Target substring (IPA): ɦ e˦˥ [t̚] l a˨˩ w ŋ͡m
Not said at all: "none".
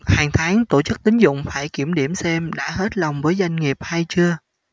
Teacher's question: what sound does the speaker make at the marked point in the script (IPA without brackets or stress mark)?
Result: t̚